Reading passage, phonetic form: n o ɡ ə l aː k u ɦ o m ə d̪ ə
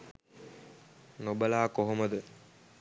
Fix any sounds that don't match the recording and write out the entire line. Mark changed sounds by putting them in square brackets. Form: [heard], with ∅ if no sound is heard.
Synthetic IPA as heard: n o [b] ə l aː k [o] ɦ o m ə d̪ ə